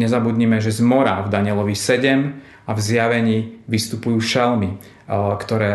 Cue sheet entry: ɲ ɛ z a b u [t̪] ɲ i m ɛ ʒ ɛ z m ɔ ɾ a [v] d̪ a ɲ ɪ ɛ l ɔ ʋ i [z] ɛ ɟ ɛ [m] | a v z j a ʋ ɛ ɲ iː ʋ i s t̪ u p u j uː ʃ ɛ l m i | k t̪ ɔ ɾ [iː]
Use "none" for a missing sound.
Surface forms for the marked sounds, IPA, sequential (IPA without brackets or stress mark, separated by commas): d̪, v, s, m, ɛː